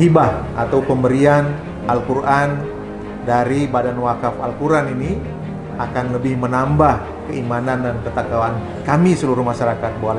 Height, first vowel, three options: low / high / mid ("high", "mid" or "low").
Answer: high